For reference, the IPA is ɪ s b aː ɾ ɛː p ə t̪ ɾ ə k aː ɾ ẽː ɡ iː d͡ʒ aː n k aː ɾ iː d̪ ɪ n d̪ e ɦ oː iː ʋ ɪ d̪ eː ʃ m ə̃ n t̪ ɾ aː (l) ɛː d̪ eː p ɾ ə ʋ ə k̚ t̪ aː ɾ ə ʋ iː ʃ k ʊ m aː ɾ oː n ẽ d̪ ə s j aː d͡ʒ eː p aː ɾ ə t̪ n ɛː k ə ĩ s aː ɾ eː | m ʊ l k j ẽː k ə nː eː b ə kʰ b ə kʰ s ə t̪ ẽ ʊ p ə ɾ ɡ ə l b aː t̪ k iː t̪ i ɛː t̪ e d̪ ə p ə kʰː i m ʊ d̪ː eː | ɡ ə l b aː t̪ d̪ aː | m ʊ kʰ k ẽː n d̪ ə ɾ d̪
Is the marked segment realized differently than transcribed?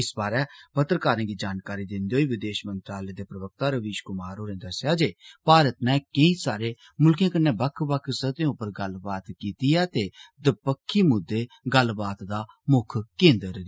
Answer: no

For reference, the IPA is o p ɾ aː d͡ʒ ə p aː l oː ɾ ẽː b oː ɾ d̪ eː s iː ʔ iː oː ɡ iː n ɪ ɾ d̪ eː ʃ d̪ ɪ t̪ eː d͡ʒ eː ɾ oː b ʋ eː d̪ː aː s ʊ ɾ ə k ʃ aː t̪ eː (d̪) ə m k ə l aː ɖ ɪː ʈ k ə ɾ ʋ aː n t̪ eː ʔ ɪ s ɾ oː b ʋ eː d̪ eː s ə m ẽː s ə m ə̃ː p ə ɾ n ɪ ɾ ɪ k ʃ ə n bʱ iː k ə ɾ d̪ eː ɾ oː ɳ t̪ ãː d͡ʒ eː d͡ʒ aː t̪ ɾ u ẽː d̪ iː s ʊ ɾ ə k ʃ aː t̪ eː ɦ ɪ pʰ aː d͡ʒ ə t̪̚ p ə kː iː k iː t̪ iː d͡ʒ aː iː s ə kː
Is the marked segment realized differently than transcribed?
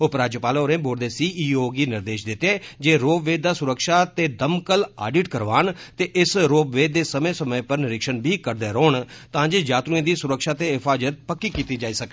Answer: no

